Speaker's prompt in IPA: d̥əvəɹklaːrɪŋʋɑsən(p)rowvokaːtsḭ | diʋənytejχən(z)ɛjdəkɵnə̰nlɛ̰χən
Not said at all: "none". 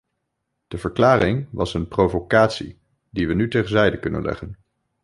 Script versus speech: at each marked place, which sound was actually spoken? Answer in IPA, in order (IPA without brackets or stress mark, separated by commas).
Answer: p, z